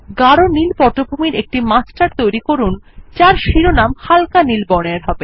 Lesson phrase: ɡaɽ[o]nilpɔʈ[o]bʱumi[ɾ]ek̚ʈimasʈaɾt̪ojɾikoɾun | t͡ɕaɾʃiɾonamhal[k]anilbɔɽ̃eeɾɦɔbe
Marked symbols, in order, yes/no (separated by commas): yes, yes, yes, yes